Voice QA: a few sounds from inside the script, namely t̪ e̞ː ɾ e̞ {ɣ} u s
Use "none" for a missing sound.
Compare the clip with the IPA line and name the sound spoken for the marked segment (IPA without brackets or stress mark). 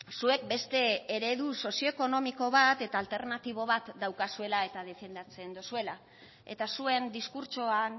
ð